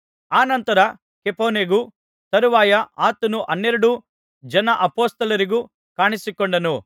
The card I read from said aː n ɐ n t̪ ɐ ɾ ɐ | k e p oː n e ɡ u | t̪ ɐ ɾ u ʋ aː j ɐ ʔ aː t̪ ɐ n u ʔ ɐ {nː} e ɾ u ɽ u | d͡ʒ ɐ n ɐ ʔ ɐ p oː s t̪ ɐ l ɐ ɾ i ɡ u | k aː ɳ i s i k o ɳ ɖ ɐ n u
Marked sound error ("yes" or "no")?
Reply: no